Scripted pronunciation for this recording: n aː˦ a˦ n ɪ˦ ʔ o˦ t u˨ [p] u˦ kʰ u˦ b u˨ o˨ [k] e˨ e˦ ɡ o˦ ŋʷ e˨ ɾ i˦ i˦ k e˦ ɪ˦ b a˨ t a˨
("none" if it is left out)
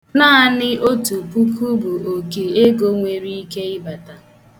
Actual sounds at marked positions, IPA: p, k

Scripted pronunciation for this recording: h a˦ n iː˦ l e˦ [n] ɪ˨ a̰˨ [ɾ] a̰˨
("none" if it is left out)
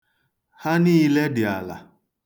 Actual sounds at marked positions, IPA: d, l

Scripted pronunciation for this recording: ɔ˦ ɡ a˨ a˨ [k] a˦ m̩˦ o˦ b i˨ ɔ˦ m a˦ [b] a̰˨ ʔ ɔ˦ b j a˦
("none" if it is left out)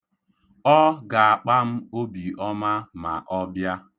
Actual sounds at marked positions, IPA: k͡p, m

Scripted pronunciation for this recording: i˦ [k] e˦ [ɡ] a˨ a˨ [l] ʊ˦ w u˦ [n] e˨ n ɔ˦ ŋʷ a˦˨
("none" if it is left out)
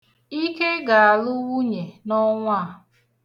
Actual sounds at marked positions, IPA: k, ɡ, l, ɲ

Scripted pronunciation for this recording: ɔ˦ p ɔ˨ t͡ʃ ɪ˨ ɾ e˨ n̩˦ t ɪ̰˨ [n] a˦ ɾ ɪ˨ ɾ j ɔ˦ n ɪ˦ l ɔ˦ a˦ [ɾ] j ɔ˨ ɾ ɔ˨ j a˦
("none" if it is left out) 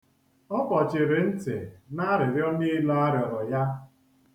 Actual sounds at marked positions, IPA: n, ɾ

